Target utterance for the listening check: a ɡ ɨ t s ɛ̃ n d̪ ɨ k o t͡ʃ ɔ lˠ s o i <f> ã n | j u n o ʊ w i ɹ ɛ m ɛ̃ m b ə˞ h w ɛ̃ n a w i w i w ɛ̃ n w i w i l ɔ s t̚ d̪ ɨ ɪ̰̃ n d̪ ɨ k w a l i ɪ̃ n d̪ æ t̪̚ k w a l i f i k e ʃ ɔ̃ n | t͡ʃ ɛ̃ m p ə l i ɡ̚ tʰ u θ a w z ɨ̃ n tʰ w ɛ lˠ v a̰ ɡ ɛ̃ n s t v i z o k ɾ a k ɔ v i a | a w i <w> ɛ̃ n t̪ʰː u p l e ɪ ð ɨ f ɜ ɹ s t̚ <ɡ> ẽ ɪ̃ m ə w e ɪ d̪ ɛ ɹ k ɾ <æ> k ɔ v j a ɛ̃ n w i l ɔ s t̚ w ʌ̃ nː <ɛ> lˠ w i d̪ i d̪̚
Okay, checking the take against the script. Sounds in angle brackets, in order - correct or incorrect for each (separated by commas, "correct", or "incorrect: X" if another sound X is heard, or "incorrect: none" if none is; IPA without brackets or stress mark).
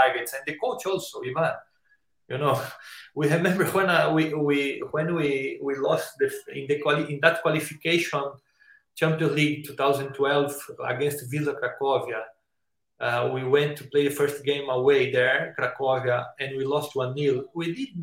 incorrect: v, correct, correct, incorrect: a, incorrect: i